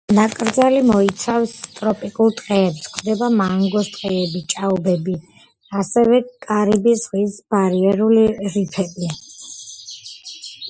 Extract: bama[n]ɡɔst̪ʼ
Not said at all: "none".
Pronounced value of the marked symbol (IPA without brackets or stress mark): ŋ